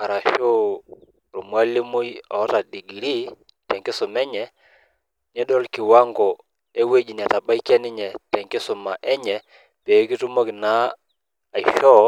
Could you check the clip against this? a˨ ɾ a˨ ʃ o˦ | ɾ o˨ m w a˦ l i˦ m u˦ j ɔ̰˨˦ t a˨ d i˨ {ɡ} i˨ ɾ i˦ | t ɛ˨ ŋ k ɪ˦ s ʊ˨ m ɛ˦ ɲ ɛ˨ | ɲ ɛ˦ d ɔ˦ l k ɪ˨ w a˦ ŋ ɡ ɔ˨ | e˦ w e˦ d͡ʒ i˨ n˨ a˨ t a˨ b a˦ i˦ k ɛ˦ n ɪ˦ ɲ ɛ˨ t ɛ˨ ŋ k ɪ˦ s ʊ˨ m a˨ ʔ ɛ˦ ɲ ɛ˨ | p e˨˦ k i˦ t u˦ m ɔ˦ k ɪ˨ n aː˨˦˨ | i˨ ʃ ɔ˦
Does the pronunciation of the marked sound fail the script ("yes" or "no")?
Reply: no